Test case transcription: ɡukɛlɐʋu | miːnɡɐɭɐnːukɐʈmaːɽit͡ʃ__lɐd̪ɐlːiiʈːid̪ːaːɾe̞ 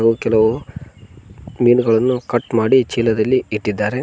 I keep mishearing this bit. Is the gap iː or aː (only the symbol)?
iː